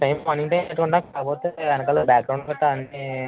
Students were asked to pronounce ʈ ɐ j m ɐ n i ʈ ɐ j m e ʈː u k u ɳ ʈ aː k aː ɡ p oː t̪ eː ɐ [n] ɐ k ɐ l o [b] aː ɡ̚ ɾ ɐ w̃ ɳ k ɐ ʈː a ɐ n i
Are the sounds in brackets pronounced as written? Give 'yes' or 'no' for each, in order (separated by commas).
yes, yes